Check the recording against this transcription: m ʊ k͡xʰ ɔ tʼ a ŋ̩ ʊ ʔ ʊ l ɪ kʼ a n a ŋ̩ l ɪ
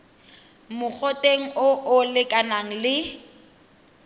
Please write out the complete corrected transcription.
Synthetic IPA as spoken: m ʊ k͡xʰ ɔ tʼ e ŋ̩ ʊ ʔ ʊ l ɪ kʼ a n a ŋ̩ l ɪ